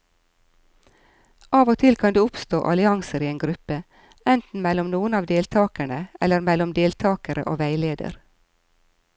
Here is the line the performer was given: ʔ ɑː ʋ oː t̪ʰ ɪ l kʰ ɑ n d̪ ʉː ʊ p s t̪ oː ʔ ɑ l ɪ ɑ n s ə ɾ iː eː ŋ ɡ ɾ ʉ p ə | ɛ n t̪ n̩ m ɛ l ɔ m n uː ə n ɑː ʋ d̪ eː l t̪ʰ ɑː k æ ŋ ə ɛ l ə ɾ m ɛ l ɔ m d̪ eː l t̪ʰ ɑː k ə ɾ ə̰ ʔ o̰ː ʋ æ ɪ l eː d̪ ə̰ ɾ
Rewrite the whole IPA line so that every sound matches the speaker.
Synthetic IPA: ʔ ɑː ʋ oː t̪ʰ ɪ l kʰ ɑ n d̪ ʉː ʊ p s t̪ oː ʔ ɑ l ɪ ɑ ŋ s ə ɾ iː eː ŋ ɡ ɾ ʉ p ə | ɛ n t̪ n̩ m ɛ l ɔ m n uː ə n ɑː ʋ d̪ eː l t̪ʰ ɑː k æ ɳ ə ɛ l ə ɾ m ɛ l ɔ m d̪ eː l t̪ʰ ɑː k ə ɾ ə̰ ʔ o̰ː ʋ æ ɪ l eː d̪ ə̰ ɾ